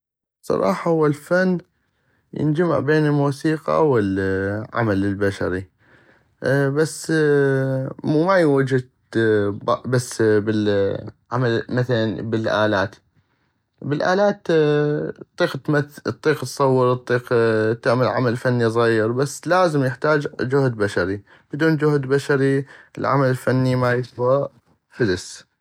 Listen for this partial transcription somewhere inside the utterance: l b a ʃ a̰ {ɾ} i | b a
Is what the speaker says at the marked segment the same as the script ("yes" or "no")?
yes